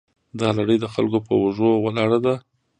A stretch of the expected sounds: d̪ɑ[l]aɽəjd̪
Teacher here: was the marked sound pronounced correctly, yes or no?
yes